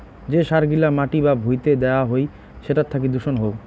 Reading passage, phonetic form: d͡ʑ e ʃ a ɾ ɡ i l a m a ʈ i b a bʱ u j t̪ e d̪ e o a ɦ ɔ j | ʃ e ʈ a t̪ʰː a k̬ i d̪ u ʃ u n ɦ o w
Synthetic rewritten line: d͡ʑ e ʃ a ɾ ɡ i l a m a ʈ i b a bʱ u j t̪ e d̪ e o a ɦ o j | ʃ e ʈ a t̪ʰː a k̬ i d̪ u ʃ o n ɦ o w

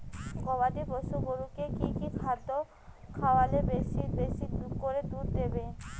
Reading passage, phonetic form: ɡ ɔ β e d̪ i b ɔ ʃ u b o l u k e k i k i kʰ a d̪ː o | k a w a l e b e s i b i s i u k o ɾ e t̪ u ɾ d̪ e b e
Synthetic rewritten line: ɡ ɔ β a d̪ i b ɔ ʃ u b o ɾ u k e k i k i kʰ a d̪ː o | kʰ a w a l e b e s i b e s i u k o ɾ e d̪ u ɾ d̪ e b e

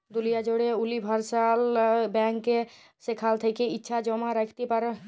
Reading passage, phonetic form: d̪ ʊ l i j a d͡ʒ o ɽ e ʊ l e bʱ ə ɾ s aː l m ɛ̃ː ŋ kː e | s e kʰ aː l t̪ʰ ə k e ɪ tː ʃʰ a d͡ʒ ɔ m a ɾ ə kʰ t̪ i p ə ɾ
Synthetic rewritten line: d̪ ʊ l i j a d͡ʒ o ɽ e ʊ l i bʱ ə ɾ s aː l b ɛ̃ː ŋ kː e | s e kʰ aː l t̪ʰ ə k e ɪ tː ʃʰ a d͡ʒ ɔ m a ɾ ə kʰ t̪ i p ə ɾ

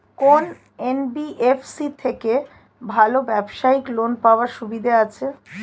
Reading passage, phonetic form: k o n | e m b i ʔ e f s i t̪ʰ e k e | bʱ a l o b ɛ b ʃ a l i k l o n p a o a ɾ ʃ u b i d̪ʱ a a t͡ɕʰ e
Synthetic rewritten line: k o n | e n b i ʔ e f s i t̪ʰ e k e | bʱ a l o b ɛ b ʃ a i k l o n p a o a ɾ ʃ u b i d̪ʱ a a t͡ɕʰ e

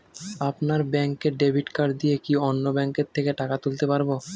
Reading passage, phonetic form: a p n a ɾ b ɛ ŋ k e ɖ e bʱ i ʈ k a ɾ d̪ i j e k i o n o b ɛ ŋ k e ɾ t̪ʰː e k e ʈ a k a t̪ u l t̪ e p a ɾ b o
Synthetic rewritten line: a p n a ɾ b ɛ ŋ k e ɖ e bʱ i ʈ k a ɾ d̪ i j e k i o nː o b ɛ ŋ k e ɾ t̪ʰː e k e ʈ a k a t̪ u l t̪ e p a ɾ b o

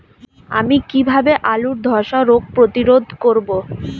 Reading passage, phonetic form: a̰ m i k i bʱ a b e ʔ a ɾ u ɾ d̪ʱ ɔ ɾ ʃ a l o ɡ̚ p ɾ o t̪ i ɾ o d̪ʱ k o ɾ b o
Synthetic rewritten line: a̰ m i k i bʱ a b e ʔ a l u ɾ d̪ʱ ɔ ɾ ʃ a ɾ o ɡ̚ p ɾ o t̪ i ɾ o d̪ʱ k o ɾ b o

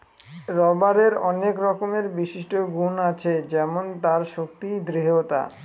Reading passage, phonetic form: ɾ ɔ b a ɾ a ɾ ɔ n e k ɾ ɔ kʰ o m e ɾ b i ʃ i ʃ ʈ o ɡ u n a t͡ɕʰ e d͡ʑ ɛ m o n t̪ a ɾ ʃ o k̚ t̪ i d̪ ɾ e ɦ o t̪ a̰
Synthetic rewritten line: ɾ ɔ b a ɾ e ɾ ɔ n e k ɾ ɔ k o m e ɾ b i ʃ i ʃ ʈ o ɡ u n a t͡ɕʰ e d͡ʑ ɛ m o n t̪ a ɾ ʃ o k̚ t̪ i d̪ ɾ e ɦ o t̪ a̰

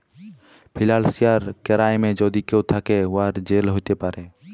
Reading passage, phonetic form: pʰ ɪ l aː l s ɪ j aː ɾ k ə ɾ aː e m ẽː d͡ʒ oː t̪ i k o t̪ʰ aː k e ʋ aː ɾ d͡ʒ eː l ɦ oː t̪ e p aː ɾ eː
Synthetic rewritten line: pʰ ɪ l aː l s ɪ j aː ɾ k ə ɾ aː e m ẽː d͡ʒ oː d̪ i k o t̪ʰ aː k e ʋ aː ɾ d͡ʒ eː l ɦ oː t̪ e p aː ɾ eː

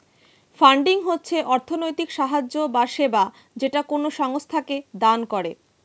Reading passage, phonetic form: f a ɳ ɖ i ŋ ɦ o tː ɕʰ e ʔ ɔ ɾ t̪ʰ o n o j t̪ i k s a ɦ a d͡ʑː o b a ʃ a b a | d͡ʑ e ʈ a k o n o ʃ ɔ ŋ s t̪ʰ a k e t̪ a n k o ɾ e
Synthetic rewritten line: f a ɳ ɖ i ŋ ɦ o tː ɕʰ e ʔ ɔ ɾ t̪ʰ o n o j t̪ i k ʃ a ɦ a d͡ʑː o b a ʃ e b a | d͡ʑ e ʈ a k o n o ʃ ɔ ŋ s t̪ʰ a k e d̪ a n k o ɾ e

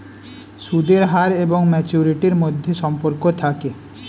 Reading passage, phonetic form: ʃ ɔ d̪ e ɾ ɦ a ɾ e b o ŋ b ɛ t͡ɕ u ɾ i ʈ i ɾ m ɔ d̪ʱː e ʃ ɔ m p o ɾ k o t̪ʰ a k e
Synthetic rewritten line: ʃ u d̪ e ɾ ɦ a ɾ e b o ŋ m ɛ t͡ɕ u ɾ i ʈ i ɾ m o d̪ʱː e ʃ ɔ m p o ɾ k o t̪ʰ a k e

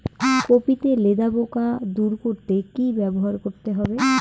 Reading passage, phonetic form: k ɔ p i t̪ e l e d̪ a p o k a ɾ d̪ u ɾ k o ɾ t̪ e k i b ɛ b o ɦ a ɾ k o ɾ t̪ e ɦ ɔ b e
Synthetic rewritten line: k o p i t̪ e l e d̪ a b o k a d̪ u ɾ k o ɾ t̪ e k i b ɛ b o ɦ a ɾ k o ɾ t̪ e ɦ ɔ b e

